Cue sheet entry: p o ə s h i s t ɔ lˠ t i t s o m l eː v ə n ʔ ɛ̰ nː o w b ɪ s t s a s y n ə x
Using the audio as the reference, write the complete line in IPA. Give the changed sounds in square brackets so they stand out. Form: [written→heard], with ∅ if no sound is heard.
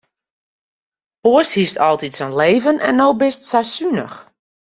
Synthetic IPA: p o ə s h i s t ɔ lˠ t i t s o [m→n] l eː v ə n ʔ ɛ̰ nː o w b ɪ s t s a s y n ə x